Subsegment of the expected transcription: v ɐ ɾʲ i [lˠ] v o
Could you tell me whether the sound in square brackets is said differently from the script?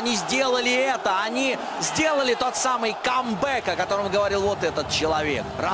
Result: no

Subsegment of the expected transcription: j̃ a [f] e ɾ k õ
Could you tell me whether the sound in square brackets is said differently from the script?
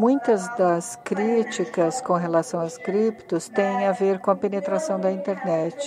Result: yes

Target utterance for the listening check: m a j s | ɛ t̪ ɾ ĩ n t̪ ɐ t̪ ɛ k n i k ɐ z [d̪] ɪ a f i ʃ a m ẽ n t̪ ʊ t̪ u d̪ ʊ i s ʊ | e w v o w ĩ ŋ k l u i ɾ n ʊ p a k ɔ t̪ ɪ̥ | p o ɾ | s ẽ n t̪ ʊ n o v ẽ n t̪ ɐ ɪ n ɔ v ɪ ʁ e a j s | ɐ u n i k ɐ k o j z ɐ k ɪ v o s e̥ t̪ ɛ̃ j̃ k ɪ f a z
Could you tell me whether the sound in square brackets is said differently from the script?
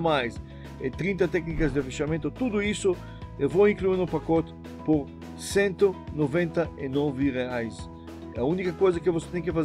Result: no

